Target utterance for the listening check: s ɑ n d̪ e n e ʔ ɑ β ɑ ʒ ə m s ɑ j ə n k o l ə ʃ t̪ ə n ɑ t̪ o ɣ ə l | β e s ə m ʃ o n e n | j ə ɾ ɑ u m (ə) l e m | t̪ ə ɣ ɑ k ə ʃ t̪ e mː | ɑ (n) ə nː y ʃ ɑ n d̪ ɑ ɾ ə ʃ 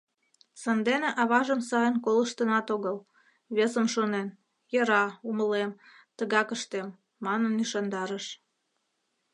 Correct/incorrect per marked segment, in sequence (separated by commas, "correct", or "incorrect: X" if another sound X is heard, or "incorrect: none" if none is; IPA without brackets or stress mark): correct, correct